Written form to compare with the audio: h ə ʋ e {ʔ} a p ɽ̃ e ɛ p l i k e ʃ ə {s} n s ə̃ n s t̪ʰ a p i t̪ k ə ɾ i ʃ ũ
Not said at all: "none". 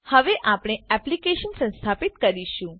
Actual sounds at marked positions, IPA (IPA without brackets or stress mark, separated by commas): ʔ, none